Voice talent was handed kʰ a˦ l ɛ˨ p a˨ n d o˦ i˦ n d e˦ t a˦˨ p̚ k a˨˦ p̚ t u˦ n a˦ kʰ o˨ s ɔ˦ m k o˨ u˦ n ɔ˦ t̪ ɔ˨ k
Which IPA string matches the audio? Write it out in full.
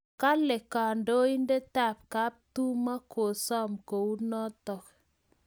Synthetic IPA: k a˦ l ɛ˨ k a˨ n d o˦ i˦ n d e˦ t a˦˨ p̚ k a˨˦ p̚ t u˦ m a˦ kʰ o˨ s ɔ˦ m k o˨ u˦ n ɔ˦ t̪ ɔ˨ k